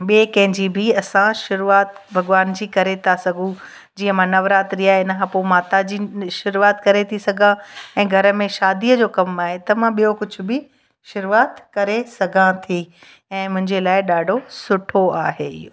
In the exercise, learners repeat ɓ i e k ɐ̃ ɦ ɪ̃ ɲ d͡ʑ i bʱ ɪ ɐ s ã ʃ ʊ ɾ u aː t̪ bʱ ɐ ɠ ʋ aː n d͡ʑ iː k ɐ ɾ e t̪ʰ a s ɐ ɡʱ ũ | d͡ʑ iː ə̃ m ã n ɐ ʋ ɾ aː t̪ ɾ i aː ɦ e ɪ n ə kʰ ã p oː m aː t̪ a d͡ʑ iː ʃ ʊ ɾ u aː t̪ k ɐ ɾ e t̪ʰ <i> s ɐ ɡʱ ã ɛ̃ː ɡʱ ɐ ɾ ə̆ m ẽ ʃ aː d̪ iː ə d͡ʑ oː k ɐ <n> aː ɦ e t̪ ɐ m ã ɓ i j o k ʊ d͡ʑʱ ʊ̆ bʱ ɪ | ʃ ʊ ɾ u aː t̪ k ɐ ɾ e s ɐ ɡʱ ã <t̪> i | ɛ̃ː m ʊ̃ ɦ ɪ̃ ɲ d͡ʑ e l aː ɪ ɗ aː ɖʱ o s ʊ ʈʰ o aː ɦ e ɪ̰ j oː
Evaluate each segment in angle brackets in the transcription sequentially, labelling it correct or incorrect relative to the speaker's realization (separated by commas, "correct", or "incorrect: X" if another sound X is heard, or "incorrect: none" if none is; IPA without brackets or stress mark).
correct, incorrect: m, incorrect: t̪ʰ